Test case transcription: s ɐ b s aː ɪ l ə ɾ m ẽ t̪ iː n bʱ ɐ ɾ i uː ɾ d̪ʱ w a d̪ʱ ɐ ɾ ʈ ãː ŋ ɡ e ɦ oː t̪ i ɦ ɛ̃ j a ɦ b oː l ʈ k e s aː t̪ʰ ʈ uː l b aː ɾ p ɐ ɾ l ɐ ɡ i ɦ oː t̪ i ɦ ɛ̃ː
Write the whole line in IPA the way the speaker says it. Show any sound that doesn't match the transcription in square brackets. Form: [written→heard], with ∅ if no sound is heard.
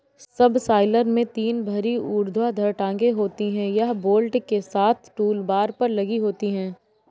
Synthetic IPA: s ɐ b s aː ɪ l ə ɾ m ẽ t̪ iː n bʱ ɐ ɾ i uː ɾ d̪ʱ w a d̪ʱ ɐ ɾ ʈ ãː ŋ ɡ e ɦ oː t̪ i ɦ ɛ̃ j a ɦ b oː l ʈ k e s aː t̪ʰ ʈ uː l b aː ɾ p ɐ ɾ l ɐ ɡ i ɦ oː t̪ i ɦ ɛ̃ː